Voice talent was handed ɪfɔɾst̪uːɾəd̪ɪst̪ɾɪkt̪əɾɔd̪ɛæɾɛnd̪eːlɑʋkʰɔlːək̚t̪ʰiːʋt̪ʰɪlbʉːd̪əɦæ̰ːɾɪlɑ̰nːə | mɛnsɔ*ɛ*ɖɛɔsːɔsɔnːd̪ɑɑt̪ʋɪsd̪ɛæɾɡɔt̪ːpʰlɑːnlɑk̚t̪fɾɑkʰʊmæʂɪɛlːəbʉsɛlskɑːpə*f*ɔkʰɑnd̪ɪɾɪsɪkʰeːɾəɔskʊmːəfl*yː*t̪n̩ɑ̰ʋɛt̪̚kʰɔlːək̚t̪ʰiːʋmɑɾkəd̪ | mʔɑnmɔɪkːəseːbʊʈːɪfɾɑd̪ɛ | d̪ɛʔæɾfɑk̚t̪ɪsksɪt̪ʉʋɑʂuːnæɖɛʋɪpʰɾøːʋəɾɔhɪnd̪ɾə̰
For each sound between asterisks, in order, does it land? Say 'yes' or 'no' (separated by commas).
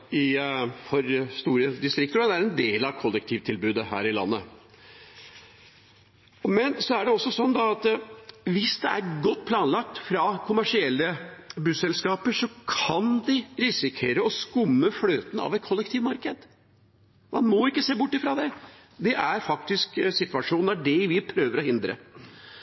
no, no, no